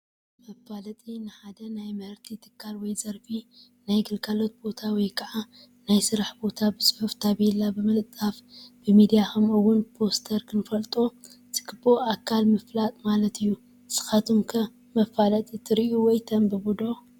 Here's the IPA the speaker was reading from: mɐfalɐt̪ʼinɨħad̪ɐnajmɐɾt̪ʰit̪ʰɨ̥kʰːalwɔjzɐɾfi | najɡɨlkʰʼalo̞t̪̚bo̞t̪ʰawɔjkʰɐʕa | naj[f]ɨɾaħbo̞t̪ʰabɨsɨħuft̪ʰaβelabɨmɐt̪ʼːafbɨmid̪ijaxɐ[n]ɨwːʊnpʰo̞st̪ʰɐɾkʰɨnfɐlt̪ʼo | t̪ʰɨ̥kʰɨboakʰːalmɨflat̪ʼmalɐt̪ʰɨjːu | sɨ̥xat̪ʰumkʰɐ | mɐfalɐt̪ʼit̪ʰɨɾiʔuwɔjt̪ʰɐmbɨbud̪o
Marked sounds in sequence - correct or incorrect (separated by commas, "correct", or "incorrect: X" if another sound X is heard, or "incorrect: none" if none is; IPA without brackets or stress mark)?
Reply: incorrect: s, incorrect: m